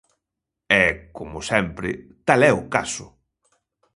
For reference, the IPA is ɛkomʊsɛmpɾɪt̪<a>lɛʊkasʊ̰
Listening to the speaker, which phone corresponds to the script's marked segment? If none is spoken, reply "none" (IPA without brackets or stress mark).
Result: a